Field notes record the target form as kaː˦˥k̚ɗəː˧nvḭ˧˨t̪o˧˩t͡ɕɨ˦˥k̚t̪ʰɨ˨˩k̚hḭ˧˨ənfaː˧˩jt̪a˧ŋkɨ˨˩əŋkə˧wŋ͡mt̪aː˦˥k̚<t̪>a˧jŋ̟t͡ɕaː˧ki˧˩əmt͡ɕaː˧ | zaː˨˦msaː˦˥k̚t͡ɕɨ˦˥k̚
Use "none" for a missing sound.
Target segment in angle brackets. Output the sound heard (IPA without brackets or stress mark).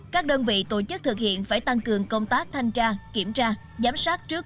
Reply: t̪ʰ